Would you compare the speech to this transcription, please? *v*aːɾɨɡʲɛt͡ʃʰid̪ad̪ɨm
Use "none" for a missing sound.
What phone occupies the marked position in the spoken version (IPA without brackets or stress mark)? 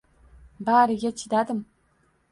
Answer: b